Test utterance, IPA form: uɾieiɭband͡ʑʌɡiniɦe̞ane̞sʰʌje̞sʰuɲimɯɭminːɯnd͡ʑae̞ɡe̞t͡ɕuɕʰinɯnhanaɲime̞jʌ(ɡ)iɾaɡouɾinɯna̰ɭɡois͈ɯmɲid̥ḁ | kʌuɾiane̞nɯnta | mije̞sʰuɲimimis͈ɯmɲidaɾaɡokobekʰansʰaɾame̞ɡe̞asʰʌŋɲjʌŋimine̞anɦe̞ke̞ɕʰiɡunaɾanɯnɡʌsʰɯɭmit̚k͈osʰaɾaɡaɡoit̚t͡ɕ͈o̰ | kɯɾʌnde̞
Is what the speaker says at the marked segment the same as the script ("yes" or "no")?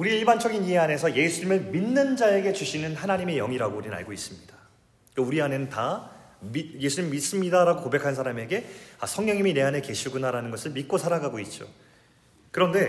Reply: no